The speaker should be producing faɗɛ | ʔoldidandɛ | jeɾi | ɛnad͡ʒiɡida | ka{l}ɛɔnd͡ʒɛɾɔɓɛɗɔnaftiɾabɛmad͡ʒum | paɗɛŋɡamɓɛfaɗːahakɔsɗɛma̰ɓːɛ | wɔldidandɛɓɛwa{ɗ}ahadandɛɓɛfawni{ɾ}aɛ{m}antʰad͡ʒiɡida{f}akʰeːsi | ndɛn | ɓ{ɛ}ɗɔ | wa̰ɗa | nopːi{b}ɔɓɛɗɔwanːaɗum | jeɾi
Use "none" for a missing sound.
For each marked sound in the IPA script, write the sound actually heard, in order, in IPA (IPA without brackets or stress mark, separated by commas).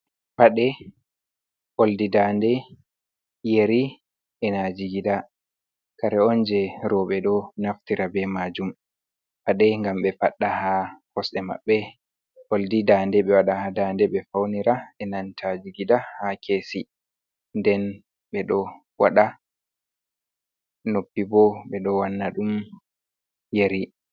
ɾ, ɗ, ɾ, n, h, ɛ, b